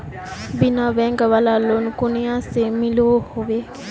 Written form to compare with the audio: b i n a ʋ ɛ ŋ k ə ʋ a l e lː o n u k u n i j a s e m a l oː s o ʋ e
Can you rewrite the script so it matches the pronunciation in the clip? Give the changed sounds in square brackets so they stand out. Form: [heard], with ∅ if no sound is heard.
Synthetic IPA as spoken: b i n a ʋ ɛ ŋ [ɡ] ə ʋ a l [a] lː o n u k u n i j a s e m [i] l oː [h] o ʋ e